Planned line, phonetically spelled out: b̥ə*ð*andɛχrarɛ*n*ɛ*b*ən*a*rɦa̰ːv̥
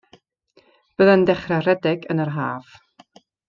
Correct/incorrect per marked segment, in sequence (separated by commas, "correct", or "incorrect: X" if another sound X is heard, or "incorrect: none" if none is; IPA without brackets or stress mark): correct, incorrect: d, incorrect: ɡ, incorrect: ə